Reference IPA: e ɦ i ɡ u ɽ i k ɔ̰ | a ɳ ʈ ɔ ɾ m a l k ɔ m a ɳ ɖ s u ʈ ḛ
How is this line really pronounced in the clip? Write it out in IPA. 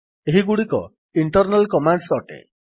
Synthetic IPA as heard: e ɦ i ɡ u ɽ i k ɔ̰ | i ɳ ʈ ɔ ɾ n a l k ɔ m a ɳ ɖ s ɔ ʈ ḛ